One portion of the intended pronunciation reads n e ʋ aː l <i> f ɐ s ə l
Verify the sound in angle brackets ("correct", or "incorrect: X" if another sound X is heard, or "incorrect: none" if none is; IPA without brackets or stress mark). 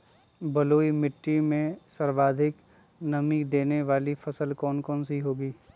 correct